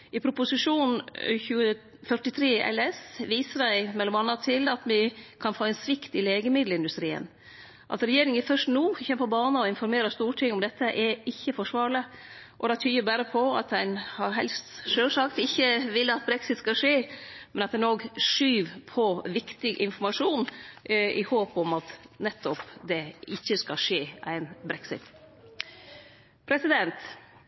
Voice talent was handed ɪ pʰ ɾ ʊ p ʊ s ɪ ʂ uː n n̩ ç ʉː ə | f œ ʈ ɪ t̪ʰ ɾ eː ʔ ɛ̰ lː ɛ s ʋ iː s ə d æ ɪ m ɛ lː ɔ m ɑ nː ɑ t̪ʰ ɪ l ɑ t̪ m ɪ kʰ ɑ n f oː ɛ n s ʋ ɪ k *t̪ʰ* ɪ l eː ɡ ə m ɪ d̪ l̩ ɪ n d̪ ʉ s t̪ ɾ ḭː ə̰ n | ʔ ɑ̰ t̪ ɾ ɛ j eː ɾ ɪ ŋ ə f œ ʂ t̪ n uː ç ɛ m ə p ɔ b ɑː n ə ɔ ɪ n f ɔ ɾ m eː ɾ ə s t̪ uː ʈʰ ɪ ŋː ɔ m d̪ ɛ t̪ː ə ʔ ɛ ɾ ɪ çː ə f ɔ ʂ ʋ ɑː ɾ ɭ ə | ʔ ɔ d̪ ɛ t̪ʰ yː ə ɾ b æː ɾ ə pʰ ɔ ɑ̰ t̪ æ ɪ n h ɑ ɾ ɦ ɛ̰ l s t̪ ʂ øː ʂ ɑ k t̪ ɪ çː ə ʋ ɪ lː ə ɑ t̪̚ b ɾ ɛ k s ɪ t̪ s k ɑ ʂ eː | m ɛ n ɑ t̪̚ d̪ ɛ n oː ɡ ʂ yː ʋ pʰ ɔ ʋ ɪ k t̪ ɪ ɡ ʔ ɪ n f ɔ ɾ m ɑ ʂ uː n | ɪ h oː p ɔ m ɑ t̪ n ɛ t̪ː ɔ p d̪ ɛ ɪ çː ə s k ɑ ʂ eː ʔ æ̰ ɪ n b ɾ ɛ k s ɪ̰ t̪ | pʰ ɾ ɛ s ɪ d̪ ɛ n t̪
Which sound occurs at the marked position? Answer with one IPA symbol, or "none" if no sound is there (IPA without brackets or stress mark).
t̪